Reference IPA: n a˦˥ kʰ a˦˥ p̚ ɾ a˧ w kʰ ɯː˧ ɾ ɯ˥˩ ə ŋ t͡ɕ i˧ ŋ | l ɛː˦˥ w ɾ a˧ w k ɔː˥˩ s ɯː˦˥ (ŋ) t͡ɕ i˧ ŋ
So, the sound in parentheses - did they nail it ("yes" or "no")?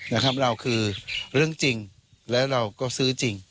no